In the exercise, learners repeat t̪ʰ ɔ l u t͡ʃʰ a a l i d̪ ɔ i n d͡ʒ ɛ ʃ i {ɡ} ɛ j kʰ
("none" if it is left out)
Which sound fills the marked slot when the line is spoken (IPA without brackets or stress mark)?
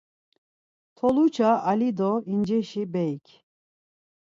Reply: b